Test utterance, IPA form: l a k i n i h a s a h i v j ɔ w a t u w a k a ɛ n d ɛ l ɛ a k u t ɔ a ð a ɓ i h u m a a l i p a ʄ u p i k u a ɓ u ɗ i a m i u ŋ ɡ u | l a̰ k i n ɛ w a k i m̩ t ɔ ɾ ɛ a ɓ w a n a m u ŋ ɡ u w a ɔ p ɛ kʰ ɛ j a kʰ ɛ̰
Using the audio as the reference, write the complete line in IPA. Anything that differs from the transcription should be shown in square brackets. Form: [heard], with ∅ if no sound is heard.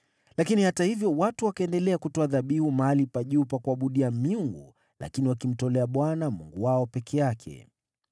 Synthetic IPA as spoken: l a k i n i h a [t] a h i v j ɔ w a t u w a k a ɛ n d ɛ l ɛ a k u t ɔ a ð a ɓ i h u m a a l i p a ʄ u p [a] k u a ɓ u ɗ i a m i u ŋ ɡ u | l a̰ k i n [i] w a k i m̩ t ɔ [l] ɛ a ɓ w a n a m u ŋ ɡ u w a ɔ p ɛ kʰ ɛ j a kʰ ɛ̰